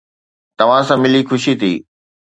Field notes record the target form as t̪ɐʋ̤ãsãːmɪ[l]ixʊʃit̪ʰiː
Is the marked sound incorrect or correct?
correct